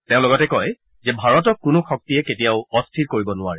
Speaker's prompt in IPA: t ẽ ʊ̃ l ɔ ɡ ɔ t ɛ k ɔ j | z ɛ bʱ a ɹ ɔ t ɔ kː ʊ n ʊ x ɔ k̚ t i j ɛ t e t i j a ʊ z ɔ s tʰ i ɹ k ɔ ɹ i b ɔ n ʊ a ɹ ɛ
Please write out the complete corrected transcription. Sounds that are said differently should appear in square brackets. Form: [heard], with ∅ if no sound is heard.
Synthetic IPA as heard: t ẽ ʊ̃ l ɔ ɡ ɔ t ɛ k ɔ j | z ɛ bʱ a ɹ ɔ t ɔ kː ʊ n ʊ x ɔ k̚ t i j ɛ [k] e t i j a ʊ [∅] ɔ s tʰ i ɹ k [o] ɹ i b ɔ n ʊ a ɹ ɛ